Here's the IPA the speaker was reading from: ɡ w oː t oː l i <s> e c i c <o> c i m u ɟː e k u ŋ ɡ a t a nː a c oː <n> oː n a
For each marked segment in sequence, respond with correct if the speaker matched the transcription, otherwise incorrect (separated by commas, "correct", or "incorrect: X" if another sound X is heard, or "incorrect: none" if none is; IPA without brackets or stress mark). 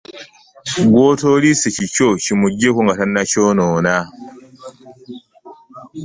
correct, correct, correct